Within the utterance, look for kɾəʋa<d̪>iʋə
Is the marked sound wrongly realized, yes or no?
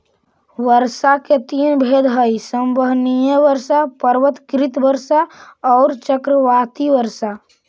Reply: yes